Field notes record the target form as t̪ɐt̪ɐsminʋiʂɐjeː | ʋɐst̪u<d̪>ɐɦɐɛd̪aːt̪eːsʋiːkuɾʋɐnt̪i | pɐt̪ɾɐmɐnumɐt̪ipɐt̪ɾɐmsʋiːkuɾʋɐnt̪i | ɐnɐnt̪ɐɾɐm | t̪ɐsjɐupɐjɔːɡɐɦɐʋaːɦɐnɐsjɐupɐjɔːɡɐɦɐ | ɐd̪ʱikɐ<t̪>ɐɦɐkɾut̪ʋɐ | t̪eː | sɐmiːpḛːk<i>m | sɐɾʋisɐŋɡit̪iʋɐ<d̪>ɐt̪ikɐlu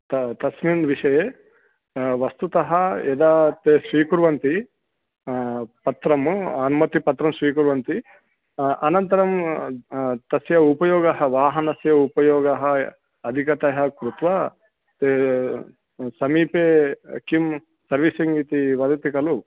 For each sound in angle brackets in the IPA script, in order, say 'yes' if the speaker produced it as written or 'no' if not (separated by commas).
no, yes, yes, yes